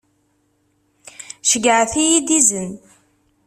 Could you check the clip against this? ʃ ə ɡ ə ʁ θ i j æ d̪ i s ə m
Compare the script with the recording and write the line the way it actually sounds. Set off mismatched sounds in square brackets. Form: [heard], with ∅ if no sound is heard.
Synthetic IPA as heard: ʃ ə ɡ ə [ʕ] θ i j [i] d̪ i [z] ə [n]